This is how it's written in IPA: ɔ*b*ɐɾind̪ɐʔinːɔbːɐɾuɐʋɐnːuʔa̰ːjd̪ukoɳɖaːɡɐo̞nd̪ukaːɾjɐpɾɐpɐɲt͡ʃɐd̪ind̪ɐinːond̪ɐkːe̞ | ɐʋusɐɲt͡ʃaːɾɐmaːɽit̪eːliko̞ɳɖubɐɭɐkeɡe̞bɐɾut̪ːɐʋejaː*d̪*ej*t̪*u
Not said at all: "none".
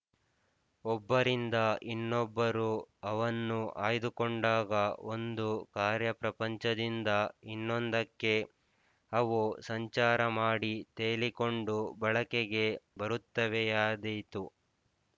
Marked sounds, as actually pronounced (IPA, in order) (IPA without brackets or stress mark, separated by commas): bː, d̪, t̪